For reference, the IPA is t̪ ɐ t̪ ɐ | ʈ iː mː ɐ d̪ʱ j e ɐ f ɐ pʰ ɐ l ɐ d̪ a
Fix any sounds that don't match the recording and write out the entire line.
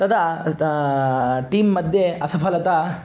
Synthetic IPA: t̪ ɐ d̪ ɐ | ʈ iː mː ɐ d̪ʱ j e ɐ s ɐ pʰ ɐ l ɐ t̪ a